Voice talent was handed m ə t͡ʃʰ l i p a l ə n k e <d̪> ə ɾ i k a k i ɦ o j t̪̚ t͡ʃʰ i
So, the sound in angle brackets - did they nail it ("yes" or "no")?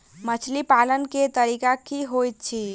no